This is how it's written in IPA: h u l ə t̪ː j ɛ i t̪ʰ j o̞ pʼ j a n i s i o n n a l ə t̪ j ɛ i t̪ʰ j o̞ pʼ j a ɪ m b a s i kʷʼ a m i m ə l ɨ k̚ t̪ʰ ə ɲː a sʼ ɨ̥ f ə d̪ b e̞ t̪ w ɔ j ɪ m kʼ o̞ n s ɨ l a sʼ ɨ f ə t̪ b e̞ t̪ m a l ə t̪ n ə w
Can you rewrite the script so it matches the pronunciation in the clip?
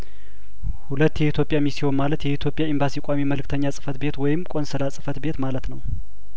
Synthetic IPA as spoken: h u l ə t̪ː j ɛ i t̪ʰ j o̞ pʼ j a m i s i o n m a l ə t̪ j ɛ i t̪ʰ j o̞ pʼ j a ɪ m b a s i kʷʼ a m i m ə l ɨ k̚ t̪ʰ ə ɲː a sʼ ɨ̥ f ə t̪ b e̞ t̪ w ɔ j ɪ m kʼ o̞ n s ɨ l a sʼ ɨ f ə t̪ b e̞ t̪ m a l ə t̪ n ə w